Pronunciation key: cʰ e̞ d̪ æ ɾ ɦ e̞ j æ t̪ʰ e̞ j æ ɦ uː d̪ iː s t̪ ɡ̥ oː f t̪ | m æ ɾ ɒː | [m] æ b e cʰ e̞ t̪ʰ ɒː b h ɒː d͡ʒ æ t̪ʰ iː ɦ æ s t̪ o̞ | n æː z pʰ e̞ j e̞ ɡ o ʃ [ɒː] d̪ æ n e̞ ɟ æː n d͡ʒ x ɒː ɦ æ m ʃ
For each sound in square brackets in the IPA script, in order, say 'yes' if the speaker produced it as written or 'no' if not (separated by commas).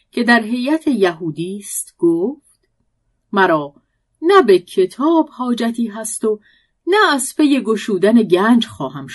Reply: no, no